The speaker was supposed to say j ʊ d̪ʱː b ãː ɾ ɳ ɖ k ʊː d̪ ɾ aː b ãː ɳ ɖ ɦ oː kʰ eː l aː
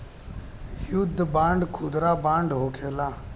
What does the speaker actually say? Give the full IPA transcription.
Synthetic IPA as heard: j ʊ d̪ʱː b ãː ɳ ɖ kʰ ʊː d̪ ɾ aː b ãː ɳ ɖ ɦ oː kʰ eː l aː